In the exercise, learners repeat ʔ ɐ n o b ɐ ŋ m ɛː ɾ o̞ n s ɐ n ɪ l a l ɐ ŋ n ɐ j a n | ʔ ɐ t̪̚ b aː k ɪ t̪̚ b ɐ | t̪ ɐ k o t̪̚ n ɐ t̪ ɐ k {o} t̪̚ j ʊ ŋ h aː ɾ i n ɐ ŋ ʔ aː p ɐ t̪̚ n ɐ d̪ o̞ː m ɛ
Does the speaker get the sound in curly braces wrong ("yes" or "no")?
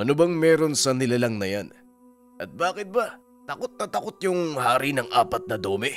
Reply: no